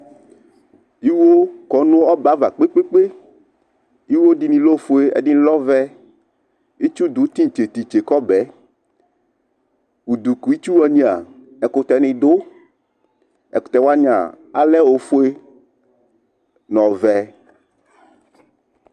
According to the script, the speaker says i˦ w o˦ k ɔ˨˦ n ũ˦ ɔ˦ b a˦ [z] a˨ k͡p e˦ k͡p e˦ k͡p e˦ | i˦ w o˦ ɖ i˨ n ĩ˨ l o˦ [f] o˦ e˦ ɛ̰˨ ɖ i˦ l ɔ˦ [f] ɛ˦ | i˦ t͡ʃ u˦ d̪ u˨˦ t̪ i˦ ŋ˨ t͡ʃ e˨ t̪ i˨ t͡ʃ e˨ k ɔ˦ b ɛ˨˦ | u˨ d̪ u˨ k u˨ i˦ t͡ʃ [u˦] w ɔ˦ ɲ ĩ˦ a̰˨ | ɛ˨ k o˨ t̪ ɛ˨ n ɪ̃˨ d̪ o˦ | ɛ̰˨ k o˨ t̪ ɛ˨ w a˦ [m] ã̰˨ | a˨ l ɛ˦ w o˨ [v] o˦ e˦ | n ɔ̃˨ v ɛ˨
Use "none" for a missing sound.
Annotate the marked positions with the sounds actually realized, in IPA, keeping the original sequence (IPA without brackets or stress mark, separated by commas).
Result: v, f, v, u˦, ɲ, f